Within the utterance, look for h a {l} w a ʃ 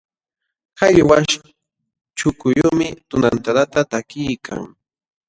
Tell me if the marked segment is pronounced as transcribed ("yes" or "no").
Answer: no